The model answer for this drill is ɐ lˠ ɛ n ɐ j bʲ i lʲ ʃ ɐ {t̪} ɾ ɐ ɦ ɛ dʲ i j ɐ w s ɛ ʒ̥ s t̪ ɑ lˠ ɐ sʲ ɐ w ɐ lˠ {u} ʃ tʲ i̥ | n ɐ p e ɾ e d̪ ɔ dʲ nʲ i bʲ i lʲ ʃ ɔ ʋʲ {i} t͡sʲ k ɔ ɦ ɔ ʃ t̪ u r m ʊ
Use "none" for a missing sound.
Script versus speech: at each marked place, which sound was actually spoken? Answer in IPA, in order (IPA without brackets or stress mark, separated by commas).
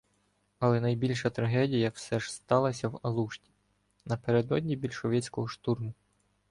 t̪, u, ɛ